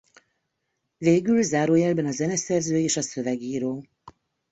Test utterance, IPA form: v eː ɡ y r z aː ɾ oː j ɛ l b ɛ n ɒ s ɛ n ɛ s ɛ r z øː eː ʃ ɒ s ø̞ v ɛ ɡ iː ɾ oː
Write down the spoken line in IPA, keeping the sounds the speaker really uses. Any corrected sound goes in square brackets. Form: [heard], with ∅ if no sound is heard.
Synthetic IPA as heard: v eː ɡ y [l] z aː ɾ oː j ɛ l b ɛ n ɒ [z] ɛ n ɛ s ɛ r z øː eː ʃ ɒ s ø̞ v ɛ ɡ iː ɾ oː